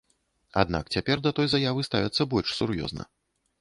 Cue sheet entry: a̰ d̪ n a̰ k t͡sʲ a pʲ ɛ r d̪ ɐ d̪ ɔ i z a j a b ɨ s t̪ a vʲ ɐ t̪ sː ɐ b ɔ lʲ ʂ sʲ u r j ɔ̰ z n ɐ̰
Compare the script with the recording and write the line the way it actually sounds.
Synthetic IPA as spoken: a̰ d̪ n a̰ k t͡sʲ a pʲ ɛ r d̪ ɐ t̪ ɔ j z a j a v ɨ s t̪ a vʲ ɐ t̪ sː ɐ b ɔ lʲ ʂ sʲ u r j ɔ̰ z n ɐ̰